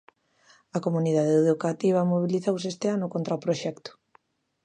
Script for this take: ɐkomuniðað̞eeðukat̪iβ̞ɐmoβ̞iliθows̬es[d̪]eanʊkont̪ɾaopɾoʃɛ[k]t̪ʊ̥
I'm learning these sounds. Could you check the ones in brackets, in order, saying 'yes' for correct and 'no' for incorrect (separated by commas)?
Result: no, yes